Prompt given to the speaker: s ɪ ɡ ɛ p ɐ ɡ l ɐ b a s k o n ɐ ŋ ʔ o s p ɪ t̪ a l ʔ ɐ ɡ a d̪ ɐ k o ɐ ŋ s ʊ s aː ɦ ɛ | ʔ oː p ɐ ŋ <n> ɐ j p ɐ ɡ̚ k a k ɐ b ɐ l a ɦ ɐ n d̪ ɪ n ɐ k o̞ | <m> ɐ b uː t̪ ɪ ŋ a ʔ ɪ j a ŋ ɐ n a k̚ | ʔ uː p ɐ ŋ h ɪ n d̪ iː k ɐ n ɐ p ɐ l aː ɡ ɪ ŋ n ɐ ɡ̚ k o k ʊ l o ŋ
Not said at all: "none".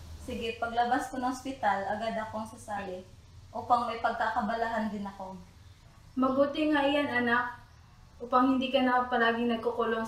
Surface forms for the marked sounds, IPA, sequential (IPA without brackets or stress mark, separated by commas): m, m